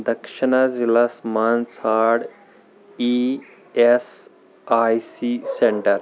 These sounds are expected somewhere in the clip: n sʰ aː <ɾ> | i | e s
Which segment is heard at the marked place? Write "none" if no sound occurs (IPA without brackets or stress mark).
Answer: ɽ